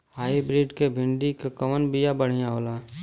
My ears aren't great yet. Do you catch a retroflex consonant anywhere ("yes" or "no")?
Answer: yes